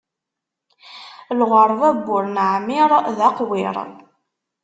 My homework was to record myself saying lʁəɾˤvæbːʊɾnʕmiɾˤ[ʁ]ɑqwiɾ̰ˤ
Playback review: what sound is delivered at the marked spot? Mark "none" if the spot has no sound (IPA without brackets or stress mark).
ð